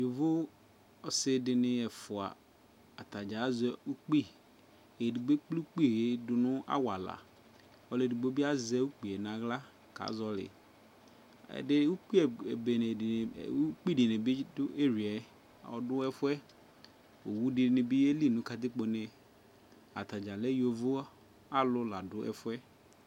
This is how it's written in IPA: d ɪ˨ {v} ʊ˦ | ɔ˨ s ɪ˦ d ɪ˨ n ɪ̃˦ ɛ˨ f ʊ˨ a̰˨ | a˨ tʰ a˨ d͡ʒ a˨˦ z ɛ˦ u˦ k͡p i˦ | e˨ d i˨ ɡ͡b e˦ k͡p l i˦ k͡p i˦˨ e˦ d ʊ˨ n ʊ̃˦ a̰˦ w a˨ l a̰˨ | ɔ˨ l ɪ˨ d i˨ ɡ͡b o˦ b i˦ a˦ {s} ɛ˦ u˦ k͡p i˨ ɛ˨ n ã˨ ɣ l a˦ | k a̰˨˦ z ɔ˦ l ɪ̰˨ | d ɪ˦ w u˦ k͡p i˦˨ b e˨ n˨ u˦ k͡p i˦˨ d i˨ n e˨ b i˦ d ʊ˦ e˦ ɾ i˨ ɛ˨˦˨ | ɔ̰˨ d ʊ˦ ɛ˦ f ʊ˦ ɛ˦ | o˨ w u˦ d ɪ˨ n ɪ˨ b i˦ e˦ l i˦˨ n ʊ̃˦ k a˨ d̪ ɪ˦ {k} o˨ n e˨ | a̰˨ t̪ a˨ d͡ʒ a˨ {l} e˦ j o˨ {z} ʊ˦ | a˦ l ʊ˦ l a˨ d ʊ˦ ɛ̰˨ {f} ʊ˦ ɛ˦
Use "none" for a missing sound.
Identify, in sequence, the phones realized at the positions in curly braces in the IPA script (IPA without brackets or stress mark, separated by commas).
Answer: v, z, k͡p, l, v, f